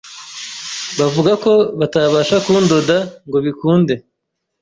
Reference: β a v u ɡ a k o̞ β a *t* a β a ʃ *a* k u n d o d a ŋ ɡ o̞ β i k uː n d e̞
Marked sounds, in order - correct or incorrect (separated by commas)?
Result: correct, correct